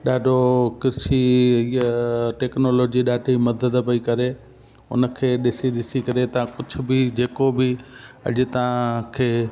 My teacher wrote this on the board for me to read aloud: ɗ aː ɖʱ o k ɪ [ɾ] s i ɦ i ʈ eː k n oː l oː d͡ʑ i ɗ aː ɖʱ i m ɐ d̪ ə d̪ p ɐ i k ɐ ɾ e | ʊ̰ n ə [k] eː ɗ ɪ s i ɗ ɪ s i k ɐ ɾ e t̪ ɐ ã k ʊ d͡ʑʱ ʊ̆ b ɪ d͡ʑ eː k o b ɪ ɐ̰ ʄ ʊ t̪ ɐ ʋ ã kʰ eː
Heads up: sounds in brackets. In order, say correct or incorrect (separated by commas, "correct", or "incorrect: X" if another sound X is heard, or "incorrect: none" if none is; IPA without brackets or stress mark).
correct, incorrect: kʰ